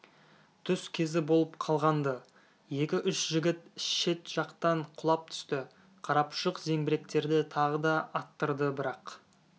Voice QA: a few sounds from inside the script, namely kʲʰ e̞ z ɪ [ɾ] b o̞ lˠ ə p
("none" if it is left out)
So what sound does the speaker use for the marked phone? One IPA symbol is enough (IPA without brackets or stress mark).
none